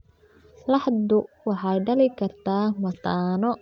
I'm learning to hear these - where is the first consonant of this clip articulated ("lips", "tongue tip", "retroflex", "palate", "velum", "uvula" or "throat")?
tongue tip